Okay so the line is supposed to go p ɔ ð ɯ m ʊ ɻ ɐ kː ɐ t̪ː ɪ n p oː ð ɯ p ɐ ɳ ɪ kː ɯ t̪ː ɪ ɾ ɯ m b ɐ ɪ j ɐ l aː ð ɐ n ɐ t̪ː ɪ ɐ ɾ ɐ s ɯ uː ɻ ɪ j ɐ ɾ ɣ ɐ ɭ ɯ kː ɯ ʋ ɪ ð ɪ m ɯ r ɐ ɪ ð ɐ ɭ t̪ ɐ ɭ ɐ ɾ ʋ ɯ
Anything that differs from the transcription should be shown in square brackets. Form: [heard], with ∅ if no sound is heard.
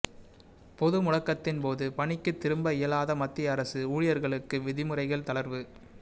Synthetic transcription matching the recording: p ɔ ð ɯ m ʊ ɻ ɐ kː ɐ t̪ː ɪ n p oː ð ɯ p ɐ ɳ ɪ kː ɯ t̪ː ɪ ɾ ɯ m b ɐ ɪ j ɐ l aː ð ɐ [m] ɐ t̪ː ɪ ɐ ɾ ɐ s ɯ uː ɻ ɪ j ɐ ɾ ɣ ɐ ɭ ɯ kː ɯ ʋ ɪ ð ɪ m ɯ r ɐ ɪ [ɣ] ɐ ɭ t̪ ɐ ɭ ɐ ɾ ʋ ɯ